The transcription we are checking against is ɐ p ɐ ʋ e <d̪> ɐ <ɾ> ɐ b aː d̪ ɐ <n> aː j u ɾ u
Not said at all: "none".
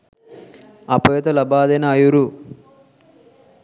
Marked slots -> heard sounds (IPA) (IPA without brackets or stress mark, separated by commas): t̪, l, n